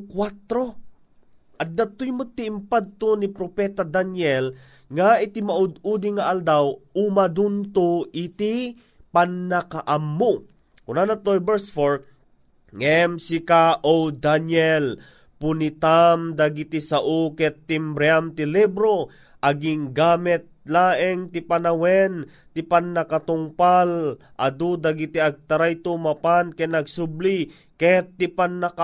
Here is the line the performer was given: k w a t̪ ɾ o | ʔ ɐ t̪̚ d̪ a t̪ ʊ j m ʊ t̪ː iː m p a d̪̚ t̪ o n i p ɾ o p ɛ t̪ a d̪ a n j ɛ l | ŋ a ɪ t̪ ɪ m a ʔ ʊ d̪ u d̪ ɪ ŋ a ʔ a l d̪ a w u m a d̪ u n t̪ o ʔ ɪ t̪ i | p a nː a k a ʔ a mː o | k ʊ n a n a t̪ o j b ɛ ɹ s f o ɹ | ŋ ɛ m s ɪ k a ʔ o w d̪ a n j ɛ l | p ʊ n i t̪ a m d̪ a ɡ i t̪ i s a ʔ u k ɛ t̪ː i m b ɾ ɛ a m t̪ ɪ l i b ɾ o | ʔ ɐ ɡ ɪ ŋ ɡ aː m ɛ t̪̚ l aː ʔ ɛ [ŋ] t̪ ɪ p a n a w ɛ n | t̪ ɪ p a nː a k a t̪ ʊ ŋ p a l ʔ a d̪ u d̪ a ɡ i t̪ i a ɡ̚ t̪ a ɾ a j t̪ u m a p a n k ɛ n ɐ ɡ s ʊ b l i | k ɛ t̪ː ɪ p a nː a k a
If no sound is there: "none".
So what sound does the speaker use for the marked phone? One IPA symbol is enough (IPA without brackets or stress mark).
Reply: ŋ